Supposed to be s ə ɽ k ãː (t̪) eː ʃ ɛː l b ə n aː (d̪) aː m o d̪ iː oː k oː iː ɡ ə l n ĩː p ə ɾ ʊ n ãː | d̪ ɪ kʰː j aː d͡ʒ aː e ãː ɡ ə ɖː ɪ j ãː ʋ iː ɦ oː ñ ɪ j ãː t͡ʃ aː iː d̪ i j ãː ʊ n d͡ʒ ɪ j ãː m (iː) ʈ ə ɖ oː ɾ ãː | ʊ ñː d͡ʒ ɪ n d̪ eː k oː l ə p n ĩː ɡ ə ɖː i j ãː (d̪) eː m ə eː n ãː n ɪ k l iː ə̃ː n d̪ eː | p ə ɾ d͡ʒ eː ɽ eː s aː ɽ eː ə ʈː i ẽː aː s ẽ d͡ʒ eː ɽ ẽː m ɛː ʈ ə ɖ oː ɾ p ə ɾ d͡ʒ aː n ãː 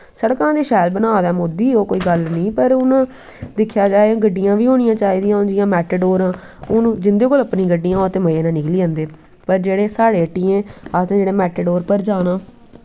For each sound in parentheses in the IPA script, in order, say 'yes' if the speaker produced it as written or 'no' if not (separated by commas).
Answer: no, yes, no, no